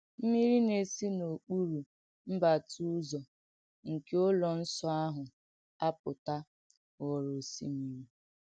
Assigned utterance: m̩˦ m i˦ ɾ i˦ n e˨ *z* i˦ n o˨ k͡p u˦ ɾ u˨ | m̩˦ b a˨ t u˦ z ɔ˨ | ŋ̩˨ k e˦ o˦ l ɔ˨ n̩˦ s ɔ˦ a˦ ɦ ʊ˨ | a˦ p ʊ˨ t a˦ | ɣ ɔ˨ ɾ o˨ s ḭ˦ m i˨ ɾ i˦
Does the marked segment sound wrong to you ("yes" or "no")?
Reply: yes